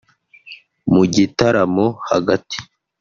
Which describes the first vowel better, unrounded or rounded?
rounded